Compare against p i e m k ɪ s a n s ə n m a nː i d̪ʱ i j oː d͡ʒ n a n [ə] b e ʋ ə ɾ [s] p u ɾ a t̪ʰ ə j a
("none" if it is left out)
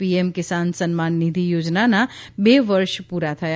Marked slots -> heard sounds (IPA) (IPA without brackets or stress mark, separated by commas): a, ʃ